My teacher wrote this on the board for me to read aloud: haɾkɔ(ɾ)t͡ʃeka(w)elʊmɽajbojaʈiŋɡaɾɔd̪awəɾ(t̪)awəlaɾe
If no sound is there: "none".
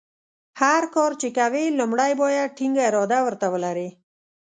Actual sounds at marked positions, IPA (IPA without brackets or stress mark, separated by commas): ɾ, w, t̪